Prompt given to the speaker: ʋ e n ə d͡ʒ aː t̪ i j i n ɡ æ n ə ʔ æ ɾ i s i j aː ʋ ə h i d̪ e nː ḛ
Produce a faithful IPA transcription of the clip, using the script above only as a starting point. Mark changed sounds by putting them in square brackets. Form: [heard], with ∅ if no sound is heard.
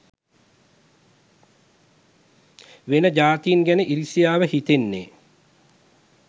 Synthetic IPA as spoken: ʋ e n ə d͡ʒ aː t̪ i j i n ɡ æ n ə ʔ [i] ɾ i s i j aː ʋ ə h i [t̪] e nː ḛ